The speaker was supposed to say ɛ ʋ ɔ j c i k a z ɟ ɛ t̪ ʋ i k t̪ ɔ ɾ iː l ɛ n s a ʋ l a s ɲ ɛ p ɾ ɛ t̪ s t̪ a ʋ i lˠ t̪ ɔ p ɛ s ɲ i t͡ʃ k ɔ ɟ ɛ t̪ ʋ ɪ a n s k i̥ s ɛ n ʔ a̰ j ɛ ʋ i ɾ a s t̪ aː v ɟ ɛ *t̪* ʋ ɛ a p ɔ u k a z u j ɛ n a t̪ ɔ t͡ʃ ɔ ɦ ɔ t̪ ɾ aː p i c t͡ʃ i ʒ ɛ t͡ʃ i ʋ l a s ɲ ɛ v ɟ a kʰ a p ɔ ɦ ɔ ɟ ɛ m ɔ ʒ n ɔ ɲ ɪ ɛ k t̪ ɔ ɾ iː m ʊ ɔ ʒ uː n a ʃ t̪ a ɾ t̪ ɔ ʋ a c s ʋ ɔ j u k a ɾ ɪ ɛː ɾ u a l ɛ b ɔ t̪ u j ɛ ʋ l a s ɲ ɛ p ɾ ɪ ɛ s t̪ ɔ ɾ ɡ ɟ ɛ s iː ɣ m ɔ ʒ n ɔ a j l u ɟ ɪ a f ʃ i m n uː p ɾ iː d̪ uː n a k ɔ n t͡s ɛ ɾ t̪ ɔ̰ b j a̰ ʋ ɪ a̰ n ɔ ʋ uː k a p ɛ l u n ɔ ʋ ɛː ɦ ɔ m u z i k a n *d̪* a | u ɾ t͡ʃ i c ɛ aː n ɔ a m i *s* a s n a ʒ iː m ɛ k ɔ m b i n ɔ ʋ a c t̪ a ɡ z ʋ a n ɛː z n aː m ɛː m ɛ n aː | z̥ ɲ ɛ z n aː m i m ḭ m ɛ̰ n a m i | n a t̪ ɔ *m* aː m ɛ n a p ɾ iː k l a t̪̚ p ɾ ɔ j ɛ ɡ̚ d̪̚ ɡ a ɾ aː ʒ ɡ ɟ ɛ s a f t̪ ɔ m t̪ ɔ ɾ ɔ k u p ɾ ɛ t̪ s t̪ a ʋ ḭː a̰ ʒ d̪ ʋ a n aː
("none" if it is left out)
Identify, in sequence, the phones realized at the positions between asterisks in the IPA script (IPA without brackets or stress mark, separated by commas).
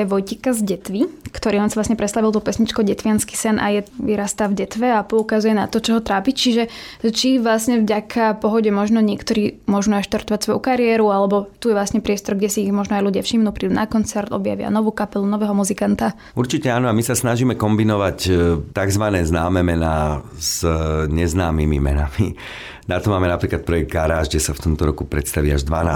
t̪, t̪, s, m